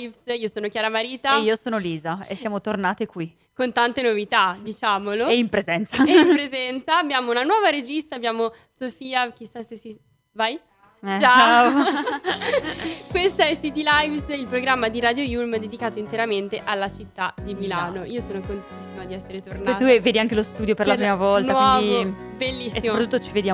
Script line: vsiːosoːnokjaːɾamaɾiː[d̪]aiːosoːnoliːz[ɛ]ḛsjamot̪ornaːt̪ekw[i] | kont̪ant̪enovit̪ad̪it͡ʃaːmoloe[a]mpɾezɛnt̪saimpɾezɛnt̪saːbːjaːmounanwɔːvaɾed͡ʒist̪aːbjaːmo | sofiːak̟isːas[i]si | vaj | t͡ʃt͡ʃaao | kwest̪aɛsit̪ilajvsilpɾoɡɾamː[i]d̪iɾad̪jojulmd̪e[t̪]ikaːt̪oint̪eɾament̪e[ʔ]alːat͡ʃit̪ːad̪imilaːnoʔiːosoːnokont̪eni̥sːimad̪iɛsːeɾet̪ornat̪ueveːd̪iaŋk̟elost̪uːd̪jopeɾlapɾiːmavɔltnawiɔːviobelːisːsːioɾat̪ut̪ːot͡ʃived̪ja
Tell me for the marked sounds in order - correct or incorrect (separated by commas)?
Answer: incorrect, incorrect, correct, incorrect, incorrect, incorrect, incorrect, correct